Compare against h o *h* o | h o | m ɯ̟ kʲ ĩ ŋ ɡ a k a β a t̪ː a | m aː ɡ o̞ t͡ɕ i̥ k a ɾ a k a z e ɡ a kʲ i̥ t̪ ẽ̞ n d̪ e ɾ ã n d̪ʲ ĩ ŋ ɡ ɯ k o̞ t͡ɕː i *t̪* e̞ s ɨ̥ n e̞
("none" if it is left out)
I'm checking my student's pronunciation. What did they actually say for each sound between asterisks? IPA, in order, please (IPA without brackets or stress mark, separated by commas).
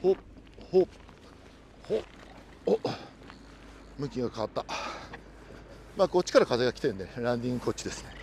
h, d̪